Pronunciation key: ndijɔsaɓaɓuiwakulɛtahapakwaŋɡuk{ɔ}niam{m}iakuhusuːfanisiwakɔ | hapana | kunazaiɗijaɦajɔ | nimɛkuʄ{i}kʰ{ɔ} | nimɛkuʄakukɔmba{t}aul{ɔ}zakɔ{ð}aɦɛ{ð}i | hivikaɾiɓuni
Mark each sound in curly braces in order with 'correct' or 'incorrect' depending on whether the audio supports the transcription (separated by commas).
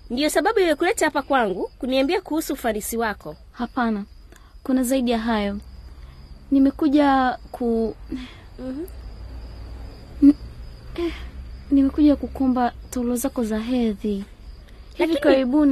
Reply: incorrect, incorrect, incorrect, incorrect, correct, correct, incorrect, correct